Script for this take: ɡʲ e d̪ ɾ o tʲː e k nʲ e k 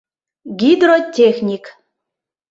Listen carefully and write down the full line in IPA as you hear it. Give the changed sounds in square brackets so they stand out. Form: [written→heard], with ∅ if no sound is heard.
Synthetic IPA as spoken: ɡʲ [e→i] d̪ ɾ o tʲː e [k→x] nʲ [e→i] k